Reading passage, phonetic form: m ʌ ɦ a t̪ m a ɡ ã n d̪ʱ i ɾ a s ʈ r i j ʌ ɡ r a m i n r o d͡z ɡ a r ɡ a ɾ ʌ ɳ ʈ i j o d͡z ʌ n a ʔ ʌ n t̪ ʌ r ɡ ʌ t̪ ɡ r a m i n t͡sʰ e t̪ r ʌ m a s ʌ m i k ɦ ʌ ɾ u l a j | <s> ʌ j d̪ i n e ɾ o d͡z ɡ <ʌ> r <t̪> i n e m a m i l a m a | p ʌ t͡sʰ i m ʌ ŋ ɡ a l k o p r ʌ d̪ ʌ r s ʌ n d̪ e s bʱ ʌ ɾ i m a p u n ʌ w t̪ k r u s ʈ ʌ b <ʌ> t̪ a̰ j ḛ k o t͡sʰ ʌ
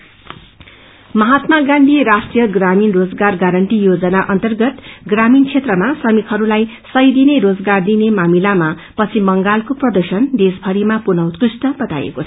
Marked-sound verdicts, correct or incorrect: correct, incorrect: a, incorrect: d̪, correct

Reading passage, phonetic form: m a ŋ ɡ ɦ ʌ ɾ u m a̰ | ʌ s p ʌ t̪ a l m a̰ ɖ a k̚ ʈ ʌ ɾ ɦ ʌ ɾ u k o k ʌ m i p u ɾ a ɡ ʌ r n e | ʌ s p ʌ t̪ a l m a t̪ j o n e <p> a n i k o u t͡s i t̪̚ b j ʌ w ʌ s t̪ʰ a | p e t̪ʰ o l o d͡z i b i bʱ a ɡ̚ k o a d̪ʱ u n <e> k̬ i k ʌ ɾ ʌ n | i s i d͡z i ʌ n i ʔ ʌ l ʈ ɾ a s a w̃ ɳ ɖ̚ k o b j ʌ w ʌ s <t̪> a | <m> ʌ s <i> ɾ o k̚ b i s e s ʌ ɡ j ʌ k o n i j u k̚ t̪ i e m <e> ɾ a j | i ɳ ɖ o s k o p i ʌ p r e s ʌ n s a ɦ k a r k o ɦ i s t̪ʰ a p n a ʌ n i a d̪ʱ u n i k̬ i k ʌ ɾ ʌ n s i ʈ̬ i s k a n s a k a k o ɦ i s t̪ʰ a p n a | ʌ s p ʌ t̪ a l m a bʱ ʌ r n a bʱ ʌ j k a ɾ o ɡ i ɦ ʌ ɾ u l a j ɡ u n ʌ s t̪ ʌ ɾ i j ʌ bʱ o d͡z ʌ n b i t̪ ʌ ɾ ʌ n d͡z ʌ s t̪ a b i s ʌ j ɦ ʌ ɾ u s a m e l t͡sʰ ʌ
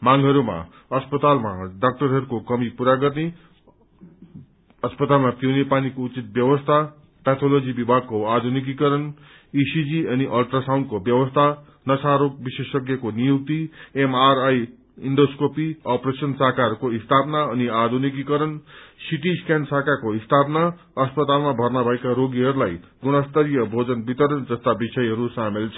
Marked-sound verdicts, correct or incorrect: correct, incorrect: i, incorrect: t̪ʰ, incorrect: n, incorrect: a, incorrect: a

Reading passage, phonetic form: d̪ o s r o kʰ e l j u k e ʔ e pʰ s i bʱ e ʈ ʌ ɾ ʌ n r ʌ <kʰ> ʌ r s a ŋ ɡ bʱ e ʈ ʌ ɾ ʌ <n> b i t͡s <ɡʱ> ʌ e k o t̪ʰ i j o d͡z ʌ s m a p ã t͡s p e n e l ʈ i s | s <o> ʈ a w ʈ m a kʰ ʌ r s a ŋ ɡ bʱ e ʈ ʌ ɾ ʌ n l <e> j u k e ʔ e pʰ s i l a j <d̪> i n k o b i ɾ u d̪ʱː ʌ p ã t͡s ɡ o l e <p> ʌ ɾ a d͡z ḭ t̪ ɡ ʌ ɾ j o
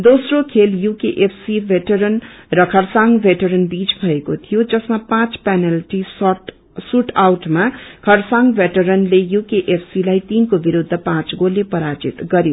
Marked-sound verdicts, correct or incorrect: correct, correct, incorrect: bʱ, incorrect: u, correct, incorrect: t̪, correct

